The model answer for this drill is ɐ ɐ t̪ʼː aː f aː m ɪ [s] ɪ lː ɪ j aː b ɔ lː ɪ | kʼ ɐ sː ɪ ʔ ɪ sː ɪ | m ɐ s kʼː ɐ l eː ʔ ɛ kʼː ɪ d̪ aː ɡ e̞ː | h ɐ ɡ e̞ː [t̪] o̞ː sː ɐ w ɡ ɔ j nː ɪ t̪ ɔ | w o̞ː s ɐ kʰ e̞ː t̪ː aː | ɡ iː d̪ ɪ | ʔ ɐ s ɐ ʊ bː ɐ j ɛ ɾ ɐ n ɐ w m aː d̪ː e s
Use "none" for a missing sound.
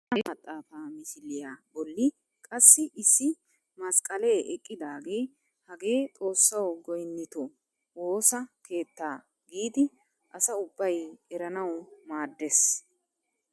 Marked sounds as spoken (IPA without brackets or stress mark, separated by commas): ʃ, t̪ʼ